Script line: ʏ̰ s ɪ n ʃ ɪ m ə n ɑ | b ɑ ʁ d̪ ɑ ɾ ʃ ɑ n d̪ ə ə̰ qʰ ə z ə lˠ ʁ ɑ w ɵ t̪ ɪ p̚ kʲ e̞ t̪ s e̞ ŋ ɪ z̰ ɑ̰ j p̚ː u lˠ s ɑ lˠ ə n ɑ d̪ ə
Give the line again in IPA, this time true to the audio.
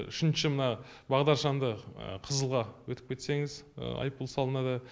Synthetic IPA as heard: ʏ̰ ʃ ɪ n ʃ ɪ m ə n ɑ | b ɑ ʁ d̪ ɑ ɾ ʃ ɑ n d̪ ə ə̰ qʰ ə z ə lˠ ʁ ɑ w ɵ t̪ ɪ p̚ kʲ e̞ t̪ s e̞ ŋ ɪ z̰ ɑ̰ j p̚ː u lˠ s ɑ lˠ ə n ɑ d̪ ə

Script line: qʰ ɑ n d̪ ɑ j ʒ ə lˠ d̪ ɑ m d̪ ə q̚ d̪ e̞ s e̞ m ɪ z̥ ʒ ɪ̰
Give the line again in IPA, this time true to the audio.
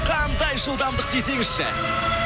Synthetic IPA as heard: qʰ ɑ n d̪ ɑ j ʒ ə lˠ d̪ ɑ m d̪ ə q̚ d̪ e̞ s e̞ ŋ ɪ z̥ ʃ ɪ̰

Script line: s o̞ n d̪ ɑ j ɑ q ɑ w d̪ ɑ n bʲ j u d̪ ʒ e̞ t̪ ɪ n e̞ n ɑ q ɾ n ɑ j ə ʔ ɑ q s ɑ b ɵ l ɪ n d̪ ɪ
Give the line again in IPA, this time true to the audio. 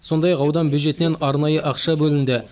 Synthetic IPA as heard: s o̞ n d̪ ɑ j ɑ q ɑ w d̪ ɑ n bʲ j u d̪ ʒ e̞ t̪ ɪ n e̞ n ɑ ɾ n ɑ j ə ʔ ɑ q ʃ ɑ b ɵ l ɪ n d̪ ɪ

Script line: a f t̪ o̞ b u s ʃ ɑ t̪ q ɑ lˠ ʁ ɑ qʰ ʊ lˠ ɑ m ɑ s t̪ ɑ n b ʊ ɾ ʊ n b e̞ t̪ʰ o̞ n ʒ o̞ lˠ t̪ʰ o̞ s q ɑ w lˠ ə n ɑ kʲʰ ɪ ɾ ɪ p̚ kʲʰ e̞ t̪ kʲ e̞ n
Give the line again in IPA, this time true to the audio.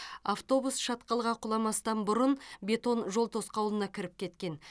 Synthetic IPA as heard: a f t̪ o̞ b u s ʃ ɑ t̪ q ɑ lˠ ʁ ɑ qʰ ʊ lˠ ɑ m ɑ s t̪ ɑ n b ʊ ɾ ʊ n b e̞ t̪ o̞ n ʒ o̞ lˠ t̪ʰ o̞ s q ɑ w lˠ ə n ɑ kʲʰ ɪ ɾ ɪ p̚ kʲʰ e̞ t̪ kʲ e̞ n

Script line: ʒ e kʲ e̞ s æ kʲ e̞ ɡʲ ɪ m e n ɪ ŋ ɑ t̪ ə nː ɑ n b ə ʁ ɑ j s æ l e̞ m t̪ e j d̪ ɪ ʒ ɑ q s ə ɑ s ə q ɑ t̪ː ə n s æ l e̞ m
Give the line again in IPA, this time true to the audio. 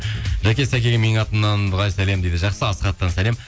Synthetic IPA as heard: ʒ æ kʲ e̞ s æ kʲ e̞ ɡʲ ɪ m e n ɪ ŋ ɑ t̪ ə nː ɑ n b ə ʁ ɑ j s æ l e̞ m d̪ e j d̪ ɪ ʒ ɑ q s ə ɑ s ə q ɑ t̪ː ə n s æ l e̞ m

